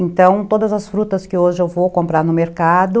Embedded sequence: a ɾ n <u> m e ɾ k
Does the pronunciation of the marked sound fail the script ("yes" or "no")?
yes